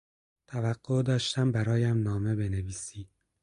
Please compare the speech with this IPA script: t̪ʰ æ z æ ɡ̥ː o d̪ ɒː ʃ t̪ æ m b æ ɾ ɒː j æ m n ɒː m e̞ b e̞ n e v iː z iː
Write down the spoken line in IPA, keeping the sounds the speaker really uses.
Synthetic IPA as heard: t̪ʰ æ v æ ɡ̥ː o d̪ ɒː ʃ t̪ æ m b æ ɾ ɒː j æ m n ɒː m e̞ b e̞ n e v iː s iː